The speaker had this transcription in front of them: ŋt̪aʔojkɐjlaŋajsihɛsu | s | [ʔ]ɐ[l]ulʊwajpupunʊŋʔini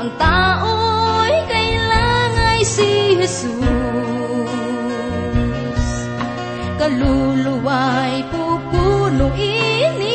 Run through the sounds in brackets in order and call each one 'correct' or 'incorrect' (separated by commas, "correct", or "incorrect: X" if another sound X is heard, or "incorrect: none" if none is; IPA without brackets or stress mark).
incorrect: k, correct